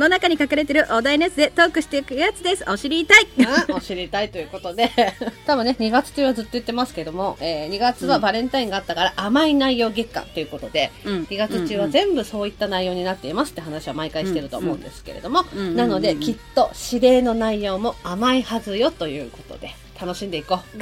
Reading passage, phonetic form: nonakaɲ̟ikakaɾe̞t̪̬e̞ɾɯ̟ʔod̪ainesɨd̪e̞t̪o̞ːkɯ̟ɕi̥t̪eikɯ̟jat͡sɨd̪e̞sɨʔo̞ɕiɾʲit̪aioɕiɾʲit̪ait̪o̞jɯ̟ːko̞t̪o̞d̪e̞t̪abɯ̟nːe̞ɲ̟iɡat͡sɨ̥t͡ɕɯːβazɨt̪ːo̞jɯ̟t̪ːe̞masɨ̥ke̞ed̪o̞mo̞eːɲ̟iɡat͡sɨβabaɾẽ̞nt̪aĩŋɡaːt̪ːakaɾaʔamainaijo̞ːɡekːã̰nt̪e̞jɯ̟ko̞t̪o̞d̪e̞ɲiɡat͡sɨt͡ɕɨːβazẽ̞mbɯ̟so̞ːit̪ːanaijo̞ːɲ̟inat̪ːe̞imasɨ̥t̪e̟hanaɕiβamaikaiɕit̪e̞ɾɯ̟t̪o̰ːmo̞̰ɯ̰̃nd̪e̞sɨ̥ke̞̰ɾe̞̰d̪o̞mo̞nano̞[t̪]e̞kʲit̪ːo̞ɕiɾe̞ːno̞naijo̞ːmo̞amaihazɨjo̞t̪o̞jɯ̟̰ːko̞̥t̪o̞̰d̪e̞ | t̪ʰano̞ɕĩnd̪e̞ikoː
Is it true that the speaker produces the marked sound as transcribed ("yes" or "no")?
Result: no